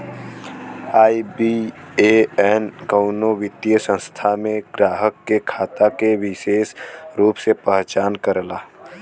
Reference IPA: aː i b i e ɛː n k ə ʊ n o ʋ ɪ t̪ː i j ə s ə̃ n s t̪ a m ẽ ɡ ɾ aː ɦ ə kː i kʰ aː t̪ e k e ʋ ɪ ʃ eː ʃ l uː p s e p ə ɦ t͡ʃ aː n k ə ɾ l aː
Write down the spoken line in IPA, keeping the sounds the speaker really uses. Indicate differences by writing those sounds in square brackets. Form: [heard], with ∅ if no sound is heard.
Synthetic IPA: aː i b i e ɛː n k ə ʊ n o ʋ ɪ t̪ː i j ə s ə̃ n s [t̪ʰ] a m ẽ ɡ ɾ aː ɦ ə kː [e] kʰ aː t̪ [a] k e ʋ ɪ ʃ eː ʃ [ɾ] uː p s e p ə ɦ t͡ʃ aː n k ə ɾ l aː